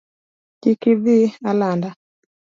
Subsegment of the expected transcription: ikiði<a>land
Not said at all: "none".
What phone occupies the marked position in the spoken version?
a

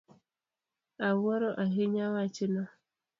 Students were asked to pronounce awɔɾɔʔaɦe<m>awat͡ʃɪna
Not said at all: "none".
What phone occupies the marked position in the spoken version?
ɲ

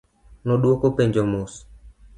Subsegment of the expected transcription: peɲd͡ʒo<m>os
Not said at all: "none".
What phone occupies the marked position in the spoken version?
m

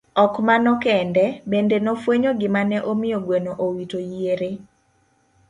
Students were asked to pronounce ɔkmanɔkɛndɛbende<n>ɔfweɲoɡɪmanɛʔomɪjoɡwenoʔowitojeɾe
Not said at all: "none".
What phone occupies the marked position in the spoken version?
n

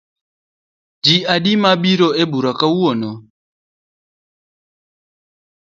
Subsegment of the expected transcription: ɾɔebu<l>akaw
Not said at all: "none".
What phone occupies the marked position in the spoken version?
ɾ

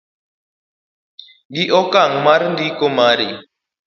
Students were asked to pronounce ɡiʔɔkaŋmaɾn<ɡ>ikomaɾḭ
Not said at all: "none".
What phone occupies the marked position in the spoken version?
d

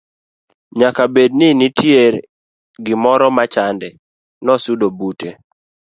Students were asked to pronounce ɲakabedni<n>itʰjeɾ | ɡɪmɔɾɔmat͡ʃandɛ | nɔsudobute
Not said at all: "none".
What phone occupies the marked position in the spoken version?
n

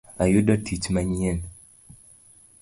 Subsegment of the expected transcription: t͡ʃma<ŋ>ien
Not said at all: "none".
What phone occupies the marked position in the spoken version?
ɲ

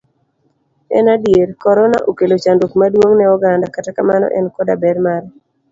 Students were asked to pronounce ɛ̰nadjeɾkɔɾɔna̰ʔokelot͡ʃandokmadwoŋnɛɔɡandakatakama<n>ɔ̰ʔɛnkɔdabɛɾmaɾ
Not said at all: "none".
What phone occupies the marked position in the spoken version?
n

